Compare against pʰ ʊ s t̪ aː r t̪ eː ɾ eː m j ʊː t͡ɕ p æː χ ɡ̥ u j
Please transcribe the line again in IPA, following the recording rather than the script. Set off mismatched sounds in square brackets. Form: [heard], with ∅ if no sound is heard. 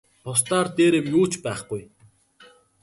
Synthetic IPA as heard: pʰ ʊ s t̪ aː r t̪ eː ɾ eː m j [uː] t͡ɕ p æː χ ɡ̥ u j